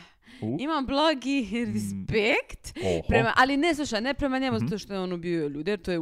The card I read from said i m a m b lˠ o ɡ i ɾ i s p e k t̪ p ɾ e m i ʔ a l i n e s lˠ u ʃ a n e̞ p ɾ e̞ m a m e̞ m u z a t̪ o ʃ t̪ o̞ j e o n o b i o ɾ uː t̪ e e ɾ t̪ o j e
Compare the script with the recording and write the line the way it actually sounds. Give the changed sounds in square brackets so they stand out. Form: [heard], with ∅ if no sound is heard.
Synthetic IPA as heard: i m a m b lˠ o ɡ i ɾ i s p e k t̪ p ɾ e m [a] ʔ a l i n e s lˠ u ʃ a n e̞ p ɾ e̞ m a [ɲ] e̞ m u z a t̪ o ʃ t̪ o̞ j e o n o b i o [ʎ] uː [d̪] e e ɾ t̪ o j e